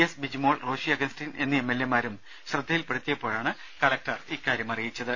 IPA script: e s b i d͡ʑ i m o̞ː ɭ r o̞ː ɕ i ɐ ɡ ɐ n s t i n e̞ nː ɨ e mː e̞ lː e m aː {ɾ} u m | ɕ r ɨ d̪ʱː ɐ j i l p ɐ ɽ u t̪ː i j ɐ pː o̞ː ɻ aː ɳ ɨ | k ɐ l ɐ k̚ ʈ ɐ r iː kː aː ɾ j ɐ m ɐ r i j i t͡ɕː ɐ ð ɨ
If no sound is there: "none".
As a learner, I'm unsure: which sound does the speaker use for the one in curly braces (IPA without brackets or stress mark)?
ɾ